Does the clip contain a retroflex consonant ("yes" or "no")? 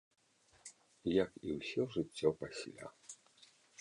yes